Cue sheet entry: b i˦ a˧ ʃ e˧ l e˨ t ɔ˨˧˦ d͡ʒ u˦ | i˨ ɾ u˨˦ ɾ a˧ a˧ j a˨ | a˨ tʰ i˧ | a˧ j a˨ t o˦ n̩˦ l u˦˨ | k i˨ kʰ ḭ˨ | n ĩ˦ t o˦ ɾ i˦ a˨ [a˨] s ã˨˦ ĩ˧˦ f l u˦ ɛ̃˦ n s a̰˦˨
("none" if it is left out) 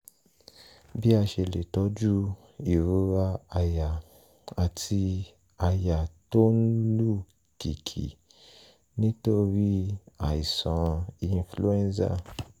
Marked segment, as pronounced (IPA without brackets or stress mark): i˨